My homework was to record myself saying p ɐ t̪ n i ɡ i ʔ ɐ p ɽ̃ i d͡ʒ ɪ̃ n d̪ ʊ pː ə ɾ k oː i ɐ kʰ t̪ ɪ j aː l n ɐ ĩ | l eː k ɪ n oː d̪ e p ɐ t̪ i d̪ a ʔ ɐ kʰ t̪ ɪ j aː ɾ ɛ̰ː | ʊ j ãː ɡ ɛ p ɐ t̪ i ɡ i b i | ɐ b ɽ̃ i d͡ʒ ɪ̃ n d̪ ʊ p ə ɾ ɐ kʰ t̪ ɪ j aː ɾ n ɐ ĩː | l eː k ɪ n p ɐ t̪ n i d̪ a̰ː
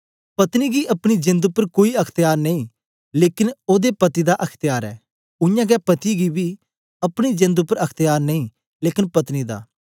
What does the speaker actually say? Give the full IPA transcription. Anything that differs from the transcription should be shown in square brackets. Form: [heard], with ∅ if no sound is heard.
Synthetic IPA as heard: p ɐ t̪ n i ɡ i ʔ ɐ p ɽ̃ i d͡ʒ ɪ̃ n d̪ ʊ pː ə ɾ k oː i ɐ kʰ t̪ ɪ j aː [ɾ] n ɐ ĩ | l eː k ɪ n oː d̪ e p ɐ t̪ i d̪ a ʔ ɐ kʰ t̪ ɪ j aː ɾ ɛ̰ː | ʊ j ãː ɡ ɛ p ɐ t̪ i ɡ i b i | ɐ [p] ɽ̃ i d͡ʒ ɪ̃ n d̪ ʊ p ə ɾ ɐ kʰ t̪ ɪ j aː ɾ n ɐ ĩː | l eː k ɪ n p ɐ t̪ n i d̪ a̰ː

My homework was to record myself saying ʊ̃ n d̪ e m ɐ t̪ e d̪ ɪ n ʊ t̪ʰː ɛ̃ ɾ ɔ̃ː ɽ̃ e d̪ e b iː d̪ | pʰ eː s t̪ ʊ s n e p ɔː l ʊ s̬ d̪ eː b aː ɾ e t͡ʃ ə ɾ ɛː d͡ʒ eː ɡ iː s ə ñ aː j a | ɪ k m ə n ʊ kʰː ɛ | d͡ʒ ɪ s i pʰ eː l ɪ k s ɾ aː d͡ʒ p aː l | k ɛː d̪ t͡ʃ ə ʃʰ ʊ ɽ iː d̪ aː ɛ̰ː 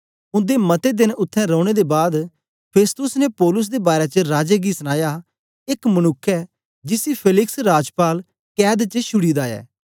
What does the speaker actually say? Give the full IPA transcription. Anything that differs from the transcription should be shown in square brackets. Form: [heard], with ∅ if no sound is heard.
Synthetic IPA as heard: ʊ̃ n d̪ e m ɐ t̪ e d̪ ɪ n ʊ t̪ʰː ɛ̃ ɾ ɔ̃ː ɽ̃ e d̪ e b [aː] d̪ | pʰ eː s t̪ ʊ s n e p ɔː l ʊ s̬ d̪ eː b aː ɾ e t͡ʃ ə ɾ [aː] d͡ʒ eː ɡ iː s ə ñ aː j a | ɪ k m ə n ʊ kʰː ɛ | d͡ʒ ɪ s i pʰ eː l ɪ k s ɾ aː d͡ʒ p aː l | k ɛː d̪ t͡ʃ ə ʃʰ ʊ ɽ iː d̪ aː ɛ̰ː

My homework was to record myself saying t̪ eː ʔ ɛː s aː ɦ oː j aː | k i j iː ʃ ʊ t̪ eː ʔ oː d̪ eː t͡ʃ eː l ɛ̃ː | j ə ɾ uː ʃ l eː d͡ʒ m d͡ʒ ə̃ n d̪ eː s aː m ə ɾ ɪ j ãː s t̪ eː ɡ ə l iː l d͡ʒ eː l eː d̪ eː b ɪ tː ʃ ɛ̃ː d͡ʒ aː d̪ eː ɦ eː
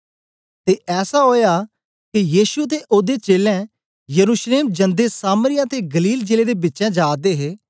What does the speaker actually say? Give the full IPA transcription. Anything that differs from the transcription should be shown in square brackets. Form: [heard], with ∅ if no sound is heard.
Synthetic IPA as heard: t̪ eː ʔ ɛː s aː ɦ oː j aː | k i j iː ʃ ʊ t̪ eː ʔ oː d̪ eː t͡ʃ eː l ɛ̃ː | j ə ɾ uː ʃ l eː [∅] m d͡ʒ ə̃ n d̪ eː s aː m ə ɾ ɪ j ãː [∅] t̪ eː ɡ ə l iː l d͡ʒ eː l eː d̪ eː b ɪ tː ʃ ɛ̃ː d͡ʒ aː d̪ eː ɦ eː

